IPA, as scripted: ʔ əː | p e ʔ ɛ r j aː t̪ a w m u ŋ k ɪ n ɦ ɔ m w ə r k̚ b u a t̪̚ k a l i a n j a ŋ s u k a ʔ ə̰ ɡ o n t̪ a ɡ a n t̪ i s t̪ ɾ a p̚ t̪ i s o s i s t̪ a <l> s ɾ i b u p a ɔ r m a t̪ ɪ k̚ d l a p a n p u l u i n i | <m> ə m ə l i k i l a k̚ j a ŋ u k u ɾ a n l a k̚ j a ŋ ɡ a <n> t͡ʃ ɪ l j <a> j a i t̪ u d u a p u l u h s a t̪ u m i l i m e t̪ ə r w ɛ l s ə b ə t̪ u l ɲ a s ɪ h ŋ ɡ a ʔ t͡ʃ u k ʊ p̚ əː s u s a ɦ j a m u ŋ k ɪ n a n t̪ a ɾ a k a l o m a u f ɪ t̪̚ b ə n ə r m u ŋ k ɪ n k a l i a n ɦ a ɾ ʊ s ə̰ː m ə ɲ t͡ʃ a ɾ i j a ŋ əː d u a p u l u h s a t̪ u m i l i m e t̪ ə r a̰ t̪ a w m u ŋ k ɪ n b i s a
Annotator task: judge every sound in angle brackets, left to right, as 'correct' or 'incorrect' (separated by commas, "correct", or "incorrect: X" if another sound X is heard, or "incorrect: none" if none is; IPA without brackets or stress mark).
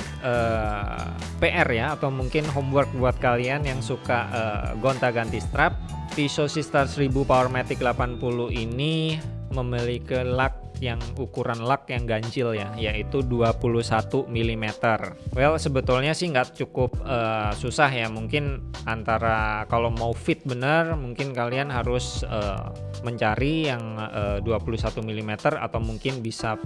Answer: incorrect: r, correct, incorrect: ɲ, correct